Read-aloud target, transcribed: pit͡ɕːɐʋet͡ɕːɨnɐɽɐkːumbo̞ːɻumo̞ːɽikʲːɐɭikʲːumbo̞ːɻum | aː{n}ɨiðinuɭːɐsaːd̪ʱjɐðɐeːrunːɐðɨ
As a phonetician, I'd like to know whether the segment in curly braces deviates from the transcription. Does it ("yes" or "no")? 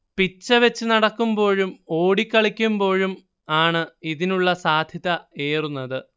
yes